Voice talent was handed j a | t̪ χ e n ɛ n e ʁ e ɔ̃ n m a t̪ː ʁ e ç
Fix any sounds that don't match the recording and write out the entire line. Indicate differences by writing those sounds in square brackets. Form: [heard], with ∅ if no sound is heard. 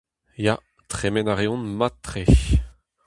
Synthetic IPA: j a | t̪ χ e [m] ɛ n [a] ʁ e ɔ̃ n m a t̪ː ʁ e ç